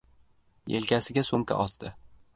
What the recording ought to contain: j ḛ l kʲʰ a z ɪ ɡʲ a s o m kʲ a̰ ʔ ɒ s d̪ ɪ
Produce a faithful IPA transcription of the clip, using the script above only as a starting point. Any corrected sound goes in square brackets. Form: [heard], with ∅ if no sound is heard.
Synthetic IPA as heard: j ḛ l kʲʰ a [s] ɪ ɡʲ a s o m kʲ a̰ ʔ ɒ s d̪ ɪ